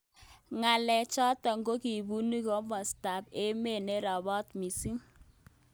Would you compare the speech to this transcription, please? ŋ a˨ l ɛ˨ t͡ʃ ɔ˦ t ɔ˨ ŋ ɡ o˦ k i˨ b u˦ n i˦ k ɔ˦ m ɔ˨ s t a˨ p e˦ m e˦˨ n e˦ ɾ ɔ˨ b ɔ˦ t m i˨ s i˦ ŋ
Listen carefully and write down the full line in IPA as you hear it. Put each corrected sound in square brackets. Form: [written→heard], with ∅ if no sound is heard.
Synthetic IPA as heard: ŋ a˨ l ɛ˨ t͡ʃ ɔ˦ t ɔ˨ ŋ ɡ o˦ k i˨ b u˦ n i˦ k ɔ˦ m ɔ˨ s t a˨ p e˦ m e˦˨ n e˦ ɾ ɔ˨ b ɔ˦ t m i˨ s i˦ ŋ